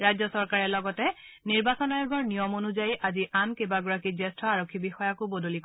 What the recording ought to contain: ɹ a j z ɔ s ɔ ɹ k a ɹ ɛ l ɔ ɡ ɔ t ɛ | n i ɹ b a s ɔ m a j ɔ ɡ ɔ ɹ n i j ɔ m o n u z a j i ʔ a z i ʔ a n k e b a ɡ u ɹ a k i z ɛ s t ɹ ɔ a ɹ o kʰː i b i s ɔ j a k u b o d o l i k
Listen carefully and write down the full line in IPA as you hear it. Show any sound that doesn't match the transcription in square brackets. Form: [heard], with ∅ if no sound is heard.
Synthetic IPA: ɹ a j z ɔ s ɔ ɹ k a ɹ ɛ l ɔ ɡ ɔ t ɛ | n i ɹ b a s ɔ [n] a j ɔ ɡ ɔ ɹ n i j ɔ m o n u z a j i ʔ a z i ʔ a n k e b a ɡ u ɹ a k i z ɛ s t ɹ ɔ a ɹ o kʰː i b i [x] ɔ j a k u b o d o l i k